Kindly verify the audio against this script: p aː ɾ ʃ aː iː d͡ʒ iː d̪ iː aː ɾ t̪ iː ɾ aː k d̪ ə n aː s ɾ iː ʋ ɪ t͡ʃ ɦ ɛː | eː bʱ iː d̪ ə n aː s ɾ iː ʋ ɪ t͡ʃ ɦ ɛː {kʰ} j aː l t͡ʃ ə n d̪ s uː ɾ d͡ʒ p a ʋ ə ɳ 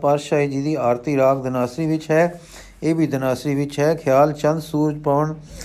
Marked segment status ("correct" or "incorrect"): correct